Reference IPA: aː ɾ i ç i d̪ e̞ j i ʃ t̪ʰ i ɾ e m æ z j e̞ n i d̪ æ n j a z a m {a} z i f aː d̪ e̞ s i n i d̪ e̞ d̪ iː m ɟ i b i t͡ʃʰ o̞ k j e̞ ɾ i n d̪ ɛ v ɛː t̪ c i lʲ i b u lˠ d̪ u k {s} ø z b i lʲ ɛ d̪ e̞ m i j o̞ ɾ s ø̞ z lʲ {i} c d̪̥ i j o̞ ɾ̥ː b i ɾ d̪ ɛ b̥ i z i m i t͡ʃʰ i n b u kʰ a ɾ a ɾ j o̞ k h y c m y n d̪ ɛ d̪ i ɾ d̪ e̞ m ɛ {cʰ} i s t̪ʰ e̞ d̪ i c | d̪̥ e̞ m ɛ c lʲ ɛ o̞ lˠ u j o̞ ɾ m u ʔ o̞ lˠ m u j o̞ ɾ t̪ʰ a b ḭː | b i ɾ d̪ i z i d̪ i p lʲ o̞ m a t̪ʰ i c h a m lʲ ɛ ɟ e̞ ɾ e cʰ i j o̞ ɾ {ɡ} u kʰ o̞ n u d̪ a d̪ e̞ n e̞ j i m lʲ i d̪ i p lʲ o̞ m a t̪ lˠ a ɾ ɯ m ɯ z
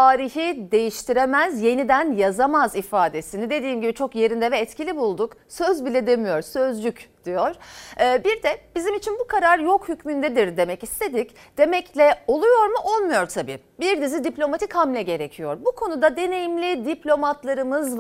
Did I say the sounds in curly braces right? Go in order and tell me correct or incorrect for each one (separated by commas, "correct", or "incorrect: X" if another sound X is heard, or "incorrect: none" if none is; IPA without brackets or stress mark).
correct, correct, incorrect: y, incorrect: c, incorrect: b